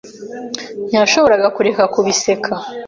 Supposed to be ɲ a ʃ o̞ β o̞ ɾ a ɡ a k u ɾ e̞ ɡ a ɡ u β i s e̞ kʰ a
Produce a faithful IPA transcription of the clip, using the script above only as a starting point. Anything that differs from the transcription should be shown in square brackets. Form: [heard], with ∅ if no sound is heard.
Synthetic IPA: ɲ a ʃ o̞ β o̞ ɾ a ɡ a k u ɾ e̞ [k] a [k] u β i s e̞ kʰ a